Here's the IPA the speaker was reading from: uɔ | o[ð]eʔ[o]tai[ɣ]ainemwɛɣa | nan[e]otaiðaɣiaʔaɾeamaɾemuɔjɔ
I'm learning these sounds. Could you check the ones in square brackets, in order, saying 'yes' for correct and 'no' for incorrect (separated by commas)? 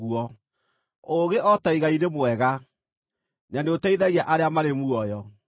no, no, yes, yes